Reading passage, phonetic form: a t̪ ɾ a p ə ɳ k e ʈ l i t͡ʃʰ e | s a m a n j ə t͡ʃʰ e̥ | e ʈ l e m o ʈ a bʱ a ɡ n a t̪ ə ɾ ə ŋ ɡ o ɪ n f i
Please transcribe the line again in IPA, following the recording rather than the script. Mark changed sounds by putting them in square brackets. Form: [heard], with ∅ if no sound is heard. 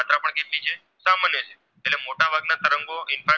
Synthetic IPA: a t̪ ɾ a p ə ɳ k e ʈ l i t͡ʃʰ e | s a m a n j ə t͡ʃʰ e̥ | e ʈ l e m o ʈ a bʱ a ɡ n a t̪ ə ɾ ə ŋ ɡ o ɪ n f [a]